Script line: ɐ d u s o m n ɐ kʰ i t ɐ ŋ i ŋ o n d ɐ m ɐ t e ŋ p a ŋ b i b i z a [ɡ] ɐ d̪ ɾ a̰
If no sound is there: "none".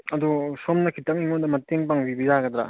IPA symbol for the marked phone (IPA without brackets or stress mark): ɡ